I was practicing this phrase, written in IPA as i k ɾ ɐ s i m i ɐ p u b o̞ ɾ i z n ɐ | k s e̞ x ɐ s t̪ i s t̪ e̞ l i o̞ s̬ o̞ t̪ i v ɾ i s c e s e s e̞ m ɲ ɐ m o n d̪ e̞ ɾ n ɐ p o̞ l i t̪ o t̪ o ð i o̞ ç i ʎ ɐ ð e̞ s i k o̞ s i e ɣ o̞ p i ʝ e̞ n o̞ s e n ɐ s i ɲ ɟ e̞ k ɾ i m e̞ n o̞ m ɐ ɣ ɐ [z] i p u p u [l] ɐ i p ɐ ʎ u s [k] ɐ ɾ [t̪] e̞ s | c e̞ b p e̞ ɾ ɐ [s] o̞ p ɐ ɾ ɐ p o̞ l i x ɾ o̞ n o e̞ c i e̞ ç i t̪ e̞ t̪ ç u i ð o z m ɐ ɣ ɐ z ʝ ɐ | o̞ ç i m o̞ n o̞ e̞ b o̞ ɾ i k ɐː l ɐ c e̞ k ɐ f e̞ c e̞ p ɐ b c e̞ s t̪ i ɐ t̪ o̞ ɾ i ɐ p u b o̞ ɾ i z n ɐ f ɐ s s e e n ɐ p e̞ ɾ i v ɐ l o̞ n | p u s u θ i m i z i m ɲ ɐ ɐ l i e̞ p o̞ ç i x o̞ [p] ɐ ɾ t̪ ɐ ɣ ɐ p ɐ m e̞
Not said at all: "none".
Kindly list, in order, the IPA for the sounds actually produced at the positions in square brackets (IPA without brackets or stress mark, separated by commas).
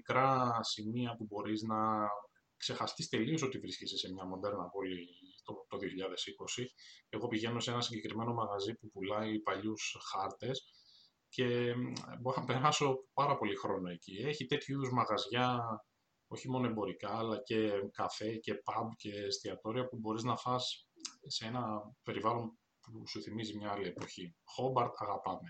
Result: z, l, x, t̪, s, b